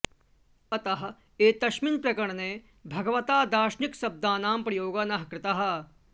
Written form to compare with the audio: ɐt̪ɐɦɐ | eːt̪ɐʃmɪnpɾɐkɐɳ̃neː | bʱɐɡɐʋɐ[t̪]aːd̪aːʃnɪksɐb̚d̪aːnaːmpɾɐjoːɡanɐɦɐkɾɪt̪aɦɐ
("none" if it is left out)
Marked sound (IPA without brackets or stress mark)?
t̪